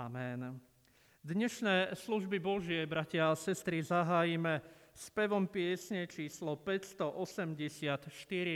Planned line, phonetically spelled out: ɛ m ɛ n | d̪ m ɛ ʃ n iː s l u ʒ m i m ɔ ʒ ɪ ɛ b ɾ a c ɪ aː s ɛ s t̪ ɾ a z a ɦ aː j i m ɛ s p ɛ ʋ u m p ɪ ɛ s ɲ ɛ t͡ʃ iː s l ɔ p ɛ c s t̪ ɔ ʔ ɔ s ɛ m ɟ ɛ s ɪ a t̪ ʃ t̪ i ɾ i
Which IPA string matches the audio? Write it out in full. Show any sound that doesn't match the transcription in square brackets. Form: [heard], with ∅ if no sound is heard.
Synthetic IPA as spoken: [a] m ɛ n | d̪ [ɲ] ɛ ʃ n [ɛː] s l u ʒ [b] i [b] ɔ ʒ ɪ ɛ b ɾ a c ɪ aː s ɛ s t̪ ɾ [i] z a ɦ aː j i m ɛ s p ɛ ʋ [ɔ] m p ɪ ɛ s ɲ ɛ t͡ʃ iː s l ɔ p ɛ c s t̪ ɔ ʔ ɔ s ɛ m ɟ ɛ s ɪ a t̪ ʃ t̪ i ɾ i